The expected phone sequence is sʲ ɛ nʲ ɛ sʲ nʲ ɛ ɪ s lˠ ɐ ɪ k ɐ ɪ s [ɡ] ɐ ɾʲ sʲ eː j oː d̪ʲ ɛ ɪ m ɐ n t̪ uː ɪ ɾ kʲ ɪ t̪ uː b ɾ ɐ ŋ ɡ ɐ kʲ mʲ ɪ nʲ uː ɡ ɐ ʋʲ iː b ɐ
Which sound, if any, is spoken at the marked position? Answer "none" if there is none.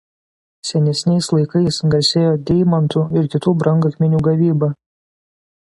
ɡ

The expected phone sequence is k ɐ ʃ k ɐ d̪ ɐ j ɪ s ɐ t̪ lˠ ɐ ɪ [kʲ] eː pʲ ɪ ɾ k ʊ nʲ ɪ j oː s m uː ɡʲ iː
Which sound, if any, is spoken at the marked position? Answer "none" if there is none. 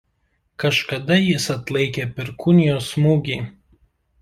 kʲ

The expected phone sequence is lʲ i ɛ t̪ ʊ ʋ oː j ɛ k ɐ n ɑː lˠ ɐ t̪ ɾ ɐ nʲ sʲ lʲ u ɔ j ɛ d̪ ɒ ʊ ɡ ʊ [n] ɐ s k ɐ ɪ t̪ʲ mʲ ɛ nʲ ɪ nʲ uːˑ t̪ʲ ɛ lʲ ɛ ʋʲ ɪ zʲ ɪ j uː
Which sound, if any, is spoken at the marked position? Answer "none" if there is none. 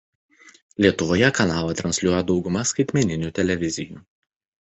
m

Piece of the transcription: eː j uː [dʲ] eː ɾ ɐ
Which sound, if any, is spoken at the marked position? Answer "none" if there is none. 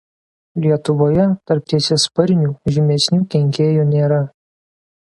nʲ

